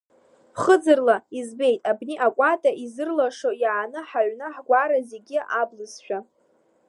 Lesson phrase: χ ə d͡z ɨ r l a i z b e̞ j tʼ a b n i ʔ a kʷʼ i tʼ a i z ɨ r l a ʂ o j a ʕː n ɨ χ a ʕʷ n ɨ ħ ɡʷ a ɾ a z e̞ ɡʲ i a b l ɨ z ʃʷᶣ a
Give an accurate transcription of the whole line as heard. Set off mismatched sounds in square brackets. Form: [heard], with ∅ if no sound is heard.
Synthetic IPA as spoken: χ ə d͡z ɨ r l a i z b e̞ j tʼ a b n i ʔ a kʷʼ [a] tʼ a i z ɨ r l a ʂ o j a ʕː n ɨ [ħ] a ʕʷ n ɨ ħ ɡʷ a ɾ a z e̞ ɡʲ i a b l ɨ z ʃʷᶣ a